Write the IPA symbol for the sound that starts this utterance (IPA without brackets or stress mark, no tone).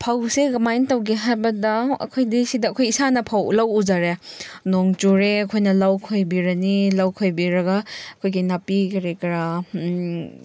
pʰ